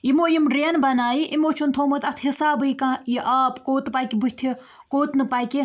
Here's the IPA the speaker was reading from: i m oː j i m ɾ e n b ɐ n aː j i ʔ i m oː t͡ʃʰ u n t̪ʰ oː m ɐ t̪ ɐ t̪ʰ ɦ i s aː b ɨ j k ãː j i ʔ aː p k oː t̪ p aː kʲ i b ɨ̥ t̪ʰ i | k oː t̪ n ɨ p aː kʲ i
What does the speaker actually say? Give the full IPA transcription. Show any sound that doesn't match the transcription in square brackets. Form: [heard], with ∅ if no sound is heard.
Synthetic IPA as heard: i m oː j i m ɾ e n b ɐ n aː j i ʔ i m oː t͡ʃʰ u n t̪ʰ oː m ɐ t̪ ɐ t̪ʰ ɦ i s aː b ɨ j k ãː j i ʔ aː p k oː t̪ p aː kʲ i b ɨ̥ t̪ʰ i | k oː t̪ n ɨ p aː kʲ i